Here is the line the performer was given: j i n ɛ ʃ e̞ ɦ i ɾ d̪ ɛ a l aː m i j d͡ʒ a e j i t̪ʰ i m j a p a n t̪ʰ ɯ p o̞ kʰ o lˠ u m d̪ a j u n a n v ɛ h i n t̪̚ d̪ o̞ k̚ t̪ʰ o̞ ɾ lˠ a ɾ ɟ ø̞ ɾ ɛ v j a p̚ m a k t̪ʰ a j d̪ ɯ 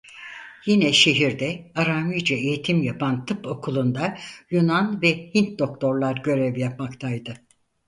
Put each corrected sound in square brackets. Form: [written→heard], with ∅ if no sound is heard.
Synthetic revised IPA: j i n ɛ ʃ e̞ ɦ i ɾ d̪ ɛ a [l→ɾ] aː m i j d͡ʒ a e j i t̪ʰ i m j a p a n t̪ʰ ɯ p o̞ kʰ [o→u] lˠ u [m→n] d̪ a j u n a n v ɛ h i n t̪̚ d̪ o̞ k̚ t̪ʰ o̞ ɾ lˠ a ɾ ɟ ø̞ ɾ ɛ v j a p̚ m a k t̪ʰ a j d̪ ɯ

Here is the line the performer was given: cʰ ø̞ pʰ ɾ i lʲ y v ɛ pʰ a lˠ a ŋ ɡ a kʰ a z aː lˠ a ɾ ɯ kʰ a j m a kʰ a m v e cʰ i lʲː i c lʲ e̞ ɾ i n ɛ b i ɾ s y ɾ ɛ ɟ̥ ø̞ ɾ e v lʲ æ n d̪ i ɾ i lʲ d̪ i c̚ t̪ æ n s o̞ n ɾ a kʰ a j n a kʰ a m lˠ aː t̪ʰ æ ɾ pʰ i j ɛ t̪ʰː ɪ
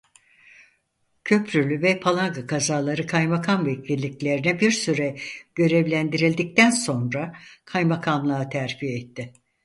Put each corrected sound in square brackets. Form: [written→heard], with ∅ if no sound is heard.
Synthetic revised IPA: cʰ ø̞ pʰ ɾ [i→y] lʲ y v ɛ pʰ a lˠ a ŋ ɡ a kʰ a z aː lˠ a ɾ ɯ kʰ a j m a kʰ a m v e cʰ i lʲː i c lʲ e̞ ɾ i n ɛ b i ɾ s y ɾ ɛ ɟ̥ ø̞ ɾ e v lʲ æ n d̪ i ɾ i lʲ d̪ i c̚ t̪ æ n s o̞ n ɾ a kʰ a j [n→m] a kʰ a m lˠ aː t̪ʰ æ ɾ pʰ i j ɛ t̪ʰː ɪ

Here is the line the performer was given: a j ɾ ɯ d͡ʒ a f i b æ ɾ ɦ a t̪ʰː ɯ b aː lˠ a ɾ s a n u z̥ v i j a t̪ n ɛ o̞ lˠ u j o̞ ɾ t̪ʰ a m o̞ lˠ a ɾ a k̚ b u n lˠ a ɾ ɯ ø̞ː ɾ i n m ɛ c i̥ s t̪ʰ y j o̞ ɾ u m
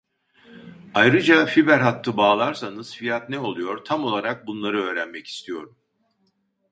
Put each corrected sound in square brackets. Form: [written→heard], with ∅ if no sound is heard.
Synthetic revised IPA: a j ɾ ɯ d͡ʒ a f i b æ ɾ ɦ a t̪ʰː ɯ b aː lˠ a ɾ s a n [u→ɯ] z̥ [v→f] i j a t̪ n ɛ o̞ lˠ u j o̞ ɾ t̪ʰ a m o̞ lˠ a ɾ a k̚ b u n lˠ a ɾ ɯ ø̞ː ɾ [i→æ] n m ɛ c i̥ s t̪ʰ [y→i] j o̞ ɾ u m

